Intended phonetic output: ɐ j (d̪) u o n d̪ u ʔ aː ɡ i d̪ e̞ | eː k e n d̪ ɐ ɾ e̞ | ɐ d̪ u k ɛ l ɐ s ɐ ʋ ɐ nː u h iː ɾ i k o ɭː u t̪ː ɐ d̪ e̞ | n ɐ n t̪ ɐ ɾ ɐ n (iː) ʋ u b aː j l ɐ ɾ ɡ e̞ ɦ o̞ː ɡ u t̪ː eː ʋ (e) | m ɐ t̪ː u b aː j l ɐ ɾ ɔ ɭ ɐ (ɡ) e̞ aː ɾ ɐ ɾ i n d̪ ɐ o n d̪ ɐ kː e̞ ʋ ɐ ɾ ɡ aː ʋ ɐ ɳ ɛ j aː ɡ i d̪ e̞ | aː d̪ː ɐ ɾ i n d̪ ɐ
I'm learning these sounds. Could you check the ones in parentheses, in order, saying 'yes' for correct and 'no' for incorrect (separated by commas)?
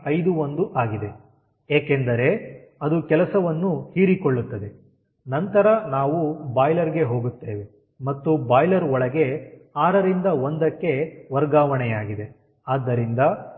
yes, no, yes, yes